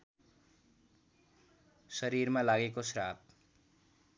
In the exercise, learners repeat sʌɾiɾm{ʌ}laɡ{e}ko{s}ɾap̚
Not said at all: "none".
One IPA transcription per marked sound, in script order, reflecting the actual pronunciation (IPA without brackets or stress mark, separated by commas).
a, e, s